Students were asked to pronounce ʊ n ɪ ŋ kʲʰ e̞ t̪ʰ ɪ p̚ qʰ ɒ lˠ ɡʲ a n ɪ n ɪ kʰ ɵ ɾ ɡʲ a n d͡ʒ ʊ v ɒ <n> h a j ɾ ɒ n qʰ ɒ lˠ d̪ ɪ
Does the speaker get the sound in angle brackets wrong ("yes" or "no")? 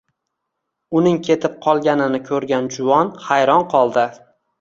no